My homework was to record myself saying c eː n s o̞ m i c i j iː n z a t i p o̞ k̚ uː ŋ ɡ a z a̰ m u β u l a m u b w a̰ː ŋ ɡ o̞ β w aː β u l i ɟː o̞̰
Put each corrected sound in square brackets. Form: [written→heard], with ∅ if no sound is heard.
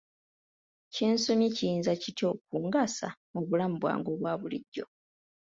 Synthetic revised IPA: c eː n s o̞ m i c i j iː n z a [t→c] i [p→t] o̞ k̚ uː ŋ ɡ a [z→s] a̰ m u β u l a m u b w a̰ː ŋ ɡ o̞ β w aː β u l i ɟː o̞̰